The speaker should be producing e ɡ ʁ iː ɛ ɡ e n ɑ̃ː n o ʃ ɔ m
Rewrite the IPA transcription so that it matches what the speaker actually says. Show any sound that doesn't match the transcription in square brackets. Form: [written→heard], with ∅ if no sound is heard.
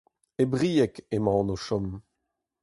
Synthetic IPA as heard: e [ɡ→b] ʁ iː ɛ [ɡ→k] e [n→m] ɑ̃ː n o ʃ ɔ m